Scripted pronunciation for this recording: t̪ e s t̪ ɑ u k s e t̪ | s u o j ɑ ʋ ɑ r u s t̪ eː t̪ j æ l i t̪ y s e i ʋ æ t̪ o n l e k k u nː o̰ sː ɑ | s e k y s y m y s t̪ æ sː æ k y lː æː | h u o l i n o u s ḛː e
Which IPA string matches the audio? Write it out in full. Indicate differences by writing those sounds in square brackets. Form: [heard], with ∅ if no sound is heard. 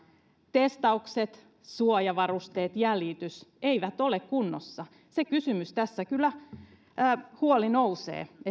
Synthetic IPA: t̪ e s t̪ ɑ u k s e t̪ | s u o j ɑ ʋ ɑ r u s t̪ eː t̪ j æ l i t̪ y s e i ʋ æ t̪ o [∅] l e k k u nː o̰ sː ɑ | s e k y s y m y s t̪ æ sː æ k y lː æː | h u o l i n o u s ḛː e